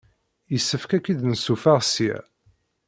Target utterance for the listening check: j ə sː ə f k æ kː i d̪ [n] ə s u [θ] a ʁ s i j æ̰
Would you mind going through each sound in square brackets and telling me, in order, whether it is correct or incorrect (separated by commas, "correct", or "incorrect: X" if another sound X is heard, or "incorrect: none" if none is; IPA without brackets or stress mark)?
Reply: correct, incorrect: f